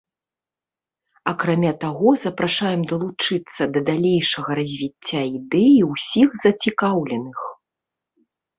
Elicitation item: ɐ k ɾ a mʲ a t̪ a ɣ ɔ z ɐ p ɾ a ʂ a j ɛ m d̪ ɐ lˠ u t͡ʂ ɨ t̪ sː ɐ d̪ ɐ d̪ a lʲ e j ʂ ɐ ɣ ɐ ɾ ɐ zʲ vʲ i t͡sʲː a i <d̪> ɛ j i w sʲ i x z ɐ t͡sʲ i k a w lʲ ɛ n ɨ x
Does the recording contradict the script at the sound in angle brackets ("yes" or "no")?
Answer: no